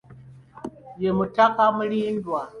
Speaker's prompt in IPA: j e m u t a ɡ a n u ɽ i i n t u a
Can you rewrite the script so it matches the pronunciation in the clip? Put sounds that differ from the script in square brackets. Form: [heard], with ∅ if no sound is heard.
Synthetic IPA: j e m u t a [k] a [m] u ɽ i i n [d] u a

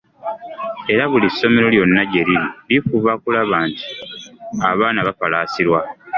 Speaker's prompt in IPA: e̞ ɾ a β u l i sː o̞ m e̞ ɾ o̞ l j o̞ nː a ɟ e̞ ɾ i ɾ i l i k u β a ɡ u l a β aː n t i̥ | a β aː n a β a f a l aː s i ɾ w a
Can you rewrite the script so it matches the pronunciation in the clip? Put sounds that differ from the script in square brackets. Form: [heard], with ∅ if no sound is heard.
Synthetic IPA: e̞ ɾ a β u l i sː o̞ m e̞ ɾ o̞ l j o̞ nː a ɟ e̞ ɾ i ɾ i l i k u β a [k] u l a β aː n t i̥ | a β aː n a β a f a l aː s i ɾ w a

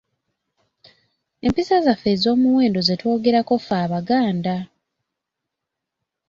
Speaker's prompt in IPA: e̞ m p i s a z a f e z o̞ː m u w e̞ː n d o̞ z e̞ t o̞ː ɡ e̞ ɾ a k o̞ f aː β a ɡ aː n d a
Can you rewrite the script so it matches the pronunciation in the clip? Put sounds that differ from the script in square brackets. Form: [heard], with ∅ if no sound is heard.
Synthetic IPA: e̞ m p i s a z a f e z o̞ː m u w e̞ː n d o̞ z e̞ t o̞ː ɡ e̞ ɾ a k o̞ f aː β a ɡ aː n d a

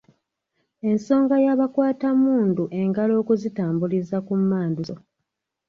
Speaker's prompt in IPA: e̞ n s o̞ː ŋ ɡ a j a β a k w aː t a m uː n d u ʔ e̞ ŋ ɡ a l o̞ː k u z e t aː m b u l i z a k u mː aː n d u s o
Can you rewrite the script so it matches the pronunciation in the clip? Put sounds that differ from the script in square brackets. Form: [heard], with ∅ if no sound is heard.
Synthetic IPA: e̞ n s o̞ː ŋ ɡ a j a β a k w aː t a m uː n d u ʔ e̞ ŋ ɡ a l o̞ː k u z [i] t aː m b u l i z a k u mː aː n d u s o

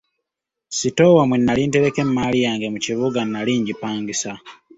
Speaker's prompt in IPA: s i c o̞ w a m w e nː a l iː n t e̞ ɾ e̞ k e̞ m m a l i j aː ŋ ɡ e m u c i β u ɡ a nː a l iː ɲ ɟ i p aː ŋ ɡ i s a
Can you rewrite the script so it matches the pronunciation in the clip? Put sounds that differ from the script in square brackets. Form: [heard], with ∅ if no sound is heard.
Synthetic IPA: s i [t] o̞ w a m w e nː a l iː n t e̞ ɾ e̞ k e̞ m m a l i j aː ŋ ɡ e m u c i β u ɡ a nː a l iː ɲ ɟ i p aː ŋ ɡ i s a

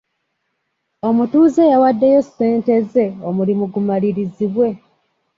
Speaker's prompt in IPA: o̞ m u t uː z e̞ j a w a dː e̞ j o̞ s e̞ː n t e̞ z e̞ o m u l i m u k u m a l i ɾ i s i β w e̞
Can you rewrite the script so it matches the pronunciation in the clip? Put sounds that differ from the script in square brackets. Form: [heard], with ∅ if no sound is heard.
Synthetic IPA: o̞ m u t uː z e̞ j a w a dː e̞ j o̞ s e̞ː n t e̞ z e̞ o m u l i m u [ɡ] u m a l i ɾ i [z] i β w e̞

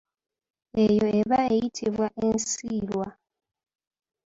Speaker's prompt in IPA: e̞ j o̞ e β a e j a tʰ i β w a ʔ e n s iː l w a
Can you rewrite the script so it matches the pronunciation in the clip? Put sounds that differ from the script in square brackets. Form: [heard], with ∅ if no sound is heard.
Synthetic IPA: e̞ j o̞ e β a e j [i] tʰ i β w a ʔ e n s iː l w a

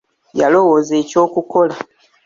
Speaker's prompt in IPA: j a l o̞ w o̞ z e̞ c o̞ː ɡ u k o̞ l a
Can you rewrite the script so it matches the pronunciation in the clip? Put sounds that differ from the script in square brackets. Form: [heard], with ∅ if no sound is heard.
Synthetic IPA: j a l o̞ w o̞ z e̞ c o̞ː [k] u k o̞ l a

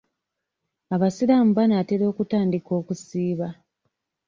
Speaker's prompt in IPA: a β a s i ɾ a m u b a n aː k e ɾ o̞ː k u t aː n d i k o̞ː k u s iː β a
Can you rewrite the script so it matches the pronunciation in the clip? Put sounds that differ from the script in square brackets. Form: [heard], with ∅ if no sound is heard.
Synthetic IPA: a β a s i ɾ a m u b a n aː [t] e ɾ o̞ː k u t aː n d i k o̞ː k u s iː β a

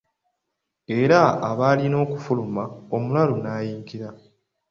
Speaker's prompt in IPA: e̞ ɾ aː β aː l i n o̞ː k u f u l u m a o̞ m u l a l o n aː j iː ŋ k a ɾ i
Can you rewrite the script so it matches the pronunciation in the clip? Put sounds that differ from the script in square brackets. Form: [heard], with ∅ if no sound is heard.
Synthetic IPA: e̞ ɾ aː β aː l i n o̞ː k u f u l u m a o̞ m u l a l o n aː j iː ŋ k [i] ɾ [a]

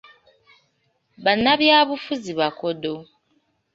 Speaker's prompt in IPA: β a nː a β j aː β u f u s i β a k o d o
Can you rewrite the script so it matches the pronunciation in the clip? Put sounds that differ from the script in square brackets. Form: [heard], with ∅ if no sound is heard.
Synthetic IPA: β a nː a β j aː β u f u [z] i β a k o d o

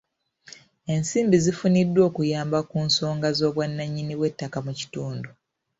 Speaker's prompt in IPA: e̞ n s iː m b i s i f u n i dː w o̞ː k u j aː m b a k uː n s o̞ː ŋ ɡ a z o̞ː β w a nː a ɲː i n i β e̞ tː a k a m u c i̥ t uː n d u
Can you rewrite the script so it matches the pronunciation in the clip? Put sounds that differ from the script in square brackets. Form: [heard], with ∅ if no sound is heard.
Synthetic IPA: e̞ n s iː m b i [z] i f u n i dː w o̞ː k u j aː m b a k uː n s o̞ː ŋ ɡ a z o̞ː β w a nː a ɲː i n i [w] e̞ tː a k a m u c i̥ t uː n d u

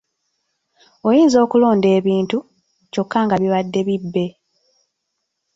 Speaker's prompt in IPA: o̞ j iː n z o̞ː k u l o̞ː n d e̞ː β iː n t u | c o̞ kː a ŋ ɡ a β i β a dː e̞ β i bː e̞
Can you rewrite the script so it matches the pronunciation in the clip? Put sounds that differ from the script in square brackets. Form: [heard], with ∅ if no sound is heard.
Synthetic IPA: o̞ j iː n z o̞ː k u l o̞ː n d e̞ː β iː n t u | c o̞ kː a ŋ ɡ a β i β a dː e̞ β i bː e̞

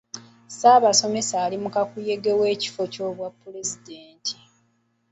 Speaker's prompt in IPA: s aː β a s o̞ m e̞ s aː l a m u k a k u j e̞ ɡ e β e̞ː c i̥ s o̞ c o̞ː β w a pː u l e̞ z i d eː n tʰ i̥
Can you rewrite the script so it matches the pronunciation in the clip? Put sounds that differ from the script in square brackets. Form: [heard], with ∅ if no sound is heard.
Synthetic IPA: s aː β a s o̞ m e̞ s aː l [i] m u k a k u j e̞ ɡ e [w] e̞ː c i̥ [f] o̞ c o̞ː β w a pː u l e̞ z i d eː n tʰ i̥

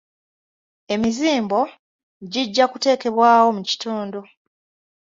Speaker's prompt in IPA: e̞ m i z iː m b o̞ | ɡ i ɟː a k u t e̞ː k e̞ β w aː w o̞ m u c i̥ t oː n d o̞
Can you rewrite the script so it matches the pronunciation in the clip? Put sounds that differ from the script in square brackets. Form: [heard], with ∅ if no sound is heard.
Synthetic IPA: e̞ m i z iː m b o̞ | [ɟ] i ɟː a k u t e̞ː k e̞ β w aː w o̞ m u c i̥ t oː n d o̞

